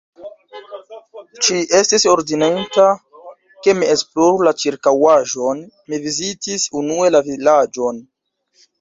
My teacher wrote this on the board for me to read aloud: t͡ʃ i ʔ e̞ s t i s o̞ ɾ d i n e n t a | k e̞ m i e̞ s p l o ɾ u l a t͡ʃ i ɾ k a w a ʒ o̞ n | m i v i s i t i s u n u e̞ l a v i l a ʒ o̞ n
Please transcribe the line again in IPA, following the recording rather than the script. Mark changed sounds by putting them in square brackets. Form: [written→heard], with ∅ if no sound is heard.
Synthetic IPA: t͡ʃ i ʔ e̞ s t i s o̞ ɾ d i n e n t a | k e̞ m i e̞ s p l o ɾ u l a t͡ʃ i ɾ k a w a ʒ o̞ n | m i v i [s→z] i t i s u n u e̞ l a v i l a [ʒ→d͡ʒ] o̞ n